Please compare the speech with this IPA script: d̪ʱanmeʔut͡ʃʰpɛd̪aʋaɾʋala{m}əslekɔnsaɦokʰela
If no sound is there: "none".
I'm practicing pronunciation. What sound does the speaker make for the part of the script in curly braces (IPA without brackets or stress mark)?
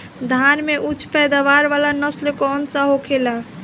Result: n